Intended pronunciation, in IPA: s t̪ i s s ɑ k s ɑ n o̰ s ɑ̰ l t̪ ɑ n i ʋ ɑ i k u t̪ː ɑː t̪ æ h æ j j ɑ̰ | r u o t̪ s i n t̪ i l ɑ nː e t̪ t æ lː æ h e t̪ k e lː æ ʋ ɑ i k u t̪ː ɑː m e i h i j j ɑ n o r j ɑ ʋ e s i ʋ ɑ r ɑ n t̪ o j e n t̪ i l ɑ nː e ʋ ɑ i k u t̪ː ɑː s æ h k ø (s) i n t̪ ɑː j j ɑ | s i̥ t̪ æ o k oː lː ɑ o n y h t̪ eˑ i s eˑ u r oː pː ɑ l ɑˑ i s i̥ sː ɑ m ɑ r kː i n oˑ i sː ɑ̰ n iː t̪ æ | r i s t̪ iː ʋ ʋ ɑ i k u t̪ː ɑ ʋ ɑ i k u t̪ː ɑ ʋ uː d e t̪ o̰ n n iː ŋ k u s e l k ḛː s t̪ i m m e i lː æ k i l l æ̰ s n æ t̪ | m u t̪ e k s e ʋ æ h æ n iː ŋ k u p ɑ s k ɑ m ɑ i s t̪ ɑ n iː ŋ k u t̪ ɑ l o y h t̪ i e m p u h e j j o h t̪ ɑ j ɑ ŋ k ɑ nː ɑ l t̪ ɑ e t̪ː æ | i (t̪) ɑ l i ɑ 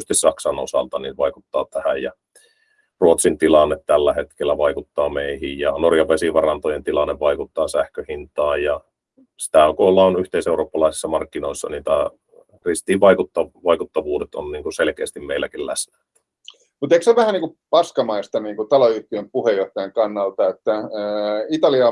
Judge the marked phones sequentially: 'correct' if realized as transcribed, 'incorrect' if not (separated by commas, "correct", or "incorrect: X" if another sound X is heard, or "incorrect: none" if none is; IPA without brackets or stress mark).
incorrect: h, correct